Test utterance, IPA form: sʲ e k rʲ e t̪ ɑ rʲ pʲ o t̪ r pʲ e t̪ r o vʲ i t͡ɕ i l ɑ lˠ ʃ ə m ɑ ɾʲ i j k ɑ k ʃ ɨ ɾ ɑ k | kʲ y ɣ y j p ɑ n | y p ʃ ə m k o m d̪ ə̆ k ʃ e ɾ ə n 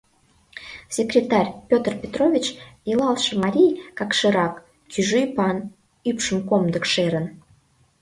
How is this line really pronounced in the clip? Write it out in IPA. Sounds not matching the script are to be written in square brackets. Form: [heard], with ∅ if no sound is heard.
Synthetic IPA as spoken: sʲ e k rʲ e t̪ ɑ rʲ pʲ o t̪ r pʲ e t̪ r o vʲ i t͡ɕ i l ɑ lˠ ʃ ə m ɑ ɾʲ i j k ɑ k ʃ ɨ ɾ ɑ k | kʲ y [ʒ] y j p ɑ n | y p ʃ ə m k o m d̪ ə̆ k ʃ e ɾ ə n